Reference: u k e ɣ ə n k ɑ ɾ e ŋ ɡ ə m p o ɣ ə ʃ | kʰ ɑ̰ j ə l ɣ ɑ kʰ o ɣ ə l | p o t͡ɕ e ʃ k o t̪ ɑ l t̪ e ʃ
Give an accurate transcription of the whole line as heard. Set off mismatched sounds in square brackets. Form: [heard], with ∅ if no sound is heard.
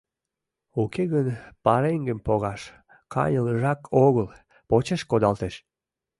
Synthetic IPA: u k e ɣ ə n [p] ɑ ɾ e ŋ ɡ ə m p o ɣ [ɑ] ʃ | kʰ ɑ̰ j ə l [ʒ] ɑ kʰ o ɣ ə l | p o t͡ɕ e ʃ k o [d̪] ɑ l t̪ e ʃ